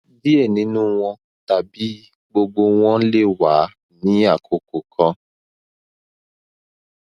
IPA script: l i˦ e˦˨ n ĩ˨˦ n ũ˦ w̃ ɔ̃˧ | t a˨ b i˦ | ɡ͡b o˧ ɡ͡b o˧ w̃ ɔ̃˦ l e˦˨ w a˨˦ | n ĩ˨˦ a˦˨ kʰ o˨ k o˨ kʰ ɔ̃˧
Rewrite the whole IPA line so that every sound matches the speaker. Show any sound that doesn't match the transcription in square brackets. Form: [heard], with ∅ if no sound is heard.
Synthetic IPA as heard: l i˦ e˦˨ n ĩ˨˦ n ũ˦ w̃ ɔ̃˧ | t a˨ b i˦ | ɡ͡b o˧ ɡ͡b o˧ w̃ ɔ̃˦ l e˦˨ w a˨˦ | n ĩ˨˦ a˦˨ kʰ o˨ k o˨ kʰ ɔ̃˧